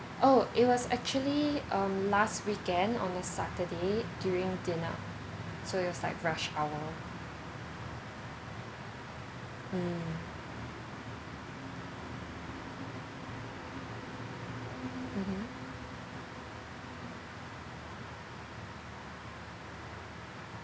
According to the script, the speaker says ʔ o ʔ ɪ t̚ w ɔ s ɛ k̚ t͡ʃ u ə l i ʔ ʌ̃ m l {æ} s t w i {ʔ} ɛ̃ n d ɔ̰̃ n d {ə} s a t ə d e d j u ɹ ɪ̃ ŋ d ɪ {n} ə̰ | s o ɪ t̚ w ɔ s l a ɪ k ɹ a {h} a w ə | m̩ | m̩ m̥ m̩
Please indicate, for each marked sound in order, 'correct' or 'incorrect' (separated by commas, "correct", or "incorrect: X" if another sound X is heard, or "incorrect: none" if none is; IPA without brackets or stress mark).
incorrect: a, incorrect: k, correct, correct, incorrect: ʃ